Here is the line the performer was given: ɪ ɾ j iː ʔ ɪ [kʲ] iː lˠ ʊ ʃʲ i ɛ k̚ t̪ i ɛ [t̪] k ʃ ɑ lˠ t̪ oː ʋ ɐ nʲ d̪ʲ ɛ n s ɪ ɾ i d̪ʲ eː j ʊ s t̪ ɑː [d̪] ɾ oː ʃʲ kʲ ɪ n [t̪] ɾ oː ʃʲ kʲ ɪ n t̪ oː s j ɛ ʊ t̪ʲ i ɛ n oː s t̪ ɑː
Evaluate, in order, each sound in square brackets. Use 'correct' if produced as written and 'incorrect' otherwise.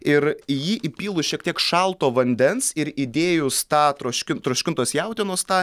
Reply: incorrect: pʲ, incorrect: none, incorrect: t̪, correct

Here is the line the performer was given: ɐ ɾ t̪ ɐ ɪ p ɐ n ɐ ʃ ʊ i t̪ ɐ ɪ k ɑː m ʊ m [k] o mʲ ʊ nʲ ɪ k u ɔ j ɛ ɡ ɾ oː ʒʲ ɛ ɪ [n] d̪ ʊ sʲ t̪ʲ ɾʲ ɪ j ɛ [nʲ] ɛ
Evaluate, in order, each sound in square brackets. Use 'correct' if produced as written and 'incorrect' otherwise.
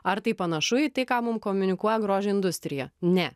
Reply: correct, correct, correct

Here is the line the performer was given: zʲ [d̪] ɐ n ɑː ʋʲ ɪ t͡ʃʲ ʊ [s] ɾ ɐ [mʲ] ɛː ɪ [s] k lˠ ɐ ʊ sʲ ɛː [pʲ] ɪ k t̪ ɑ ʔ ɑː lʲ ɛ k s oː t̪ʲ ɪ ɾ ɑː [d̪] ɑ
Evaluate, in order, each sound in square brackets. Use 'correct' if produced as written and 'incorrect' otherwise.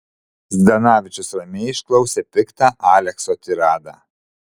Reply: correct, correct, correct, incorrect: ʃ, correct, correct

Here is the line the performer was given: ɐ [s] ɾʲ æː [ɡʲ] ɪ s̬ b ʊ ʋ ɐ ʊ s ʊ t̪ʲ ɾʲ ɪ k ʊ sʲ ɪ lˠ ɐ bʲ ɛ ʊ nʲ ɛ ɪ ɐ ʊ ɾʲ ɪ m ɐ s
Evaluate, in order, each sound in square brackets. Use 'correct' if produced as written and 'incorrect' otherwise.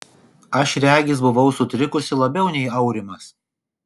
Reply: incorrect: ʃ, correct

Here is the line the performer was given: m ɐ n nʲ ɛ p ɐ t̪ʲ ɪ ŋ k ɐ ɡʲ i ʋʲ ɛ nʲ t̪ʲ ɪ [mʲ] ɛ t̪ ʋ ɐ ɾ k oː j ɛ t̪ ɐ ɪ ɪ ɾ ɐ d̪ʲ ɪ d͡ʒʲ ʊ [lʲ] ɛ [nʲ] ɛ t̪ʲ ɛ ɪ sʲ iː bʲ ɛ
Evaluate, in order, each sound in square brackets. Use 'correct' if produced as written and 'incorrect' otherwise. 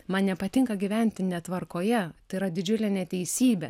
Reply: incorrect: nʲ, correct, correct

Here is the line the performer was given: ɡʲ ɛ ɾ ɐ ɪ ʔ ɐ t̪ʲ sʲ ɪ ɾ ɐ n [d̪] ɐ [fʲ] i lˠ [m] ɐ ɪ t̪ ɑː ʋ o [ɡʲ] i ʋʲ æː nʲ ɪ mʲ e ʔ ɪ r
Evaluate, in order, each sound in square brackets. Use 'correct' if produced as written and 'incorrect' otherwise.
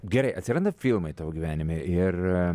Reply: correct, correct, correct, correct

